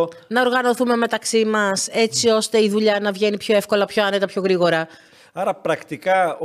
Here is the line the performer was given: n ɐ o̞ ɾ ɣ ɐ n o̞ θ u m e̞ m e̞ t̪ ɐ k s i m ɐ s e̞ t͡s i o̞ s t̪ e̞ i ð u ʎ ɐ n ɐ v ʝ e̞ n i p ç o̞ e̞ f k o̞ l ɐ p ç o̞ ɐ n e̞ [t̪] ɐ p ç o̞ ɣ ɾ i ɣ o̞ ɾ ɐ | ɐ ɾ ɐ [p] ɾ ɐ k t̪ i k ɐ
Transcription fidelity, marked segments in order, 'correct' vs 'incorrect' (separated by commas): correct, correct